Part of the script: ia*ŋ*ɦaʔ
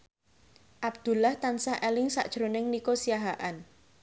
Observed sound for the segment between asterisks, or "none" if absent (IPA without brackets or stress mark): none